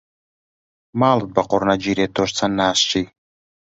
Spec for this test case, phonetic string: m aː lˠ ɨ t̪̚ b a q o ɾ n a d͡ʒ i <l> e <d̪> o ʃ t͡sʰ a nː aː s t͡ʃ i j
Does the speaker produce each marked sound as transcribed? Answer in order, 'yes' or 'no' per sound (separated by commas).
no, no